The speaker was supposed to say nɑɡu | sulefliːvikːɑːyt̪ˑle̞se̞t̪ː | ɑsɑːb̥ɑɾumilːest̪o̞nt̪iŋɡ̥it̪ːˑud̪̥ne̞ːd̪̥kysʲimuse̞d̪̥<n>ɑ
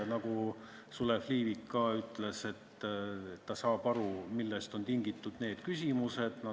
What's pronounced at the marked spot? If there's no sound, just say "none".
n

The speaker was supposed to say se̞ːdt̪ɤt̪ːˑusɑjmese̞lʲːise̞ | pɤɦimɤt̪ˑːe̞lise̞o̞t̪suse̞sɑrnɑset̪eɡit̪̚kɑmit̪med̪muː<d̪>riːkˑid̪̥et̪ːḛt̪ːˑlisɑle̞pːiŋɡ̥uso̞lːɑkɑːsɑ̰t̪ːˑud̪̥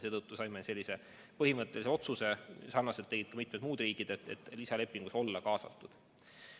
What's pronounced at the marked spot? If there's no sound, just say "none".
d̪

